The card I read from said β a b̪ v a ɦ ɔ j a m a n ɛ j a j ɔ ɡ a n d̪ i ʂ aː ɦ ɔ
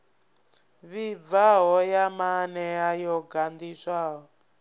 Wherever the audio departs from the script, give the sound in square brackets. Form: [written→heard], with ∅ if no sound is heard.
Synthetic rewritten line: β [a→i] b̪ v a ɦ ɔ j a m a n ɛ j a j ɔ ɡ a n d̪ i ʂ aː ɦ ɔ